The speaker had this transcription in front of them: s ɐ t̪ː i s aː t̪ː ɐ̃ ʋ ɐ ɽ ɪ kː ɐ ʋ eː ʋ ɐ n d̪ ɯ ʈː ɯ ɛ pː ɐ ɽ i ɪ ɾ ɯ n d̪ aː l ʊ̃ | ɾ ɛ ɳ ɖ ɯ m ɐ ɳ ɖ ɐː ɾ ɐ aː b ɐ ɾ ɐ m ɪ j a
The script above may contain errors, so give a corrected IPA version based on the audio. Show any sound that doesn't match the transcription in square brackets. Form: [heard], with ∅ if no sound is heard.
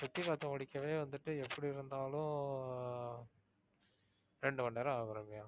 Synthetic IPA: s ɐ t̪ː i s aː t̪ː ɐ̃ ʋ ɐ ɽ ɪ kː ɐ ʋ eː ʋ ɐ n d̪ ɯ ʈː ɯ ɛ pː ɐ ɽ i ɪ ɾ ɯ n d̪ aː l ʊ̃ | ɾ ɛ ɳ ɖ ɯ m ɐ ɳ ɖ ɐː ɾ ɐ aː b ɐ ɾ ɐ m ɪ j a

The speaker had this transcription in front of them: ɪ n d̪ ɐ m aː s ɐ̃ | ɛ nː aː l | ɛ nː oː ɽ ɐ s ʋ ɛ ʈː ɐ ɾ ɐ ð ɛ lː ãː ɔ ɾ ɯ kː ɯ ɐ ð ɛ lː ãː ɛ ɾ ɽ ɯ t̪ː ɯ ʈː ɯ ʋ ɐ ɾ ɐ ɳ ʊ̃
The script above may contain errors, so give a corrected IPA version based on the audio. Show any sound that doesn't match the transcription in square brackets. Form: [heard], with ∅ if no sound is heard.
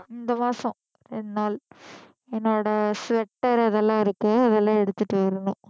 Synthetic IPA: ɪ n d̪ ɐ m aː s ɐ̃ | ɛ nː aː l | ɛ nː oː ɽ ɐ s ʋ ɛ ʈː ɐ ɾ ɐ ð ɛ lː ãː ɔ ɾ ɯ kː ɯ ɐ ð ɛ lː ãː ɛ [∅] ɽ ɯ t̪ː ɯ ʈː ɯ ʋ ɐ ɾ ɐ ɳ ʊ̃

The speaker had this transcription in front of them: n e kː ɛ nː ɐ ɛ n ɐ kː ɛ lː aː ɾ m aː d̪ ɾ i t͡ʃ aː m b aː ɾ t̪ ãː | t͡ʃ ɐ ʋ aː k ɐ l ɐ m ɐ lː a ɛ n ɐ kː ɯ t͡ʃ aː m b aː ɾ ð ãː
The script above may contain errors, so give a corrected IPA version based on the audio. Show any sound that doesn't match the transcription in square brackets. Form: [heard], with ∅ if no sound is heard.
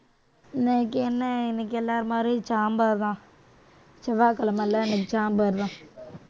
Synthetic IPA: n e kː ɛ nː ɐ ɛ n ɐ kː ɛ lː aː ɾ m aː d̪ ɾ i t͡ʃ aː m b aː ɾ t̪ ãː | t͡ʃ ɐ ʋ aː k ɐ l ɐ m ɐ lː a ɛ n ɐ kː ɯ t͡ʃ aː m b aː ɾ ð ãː

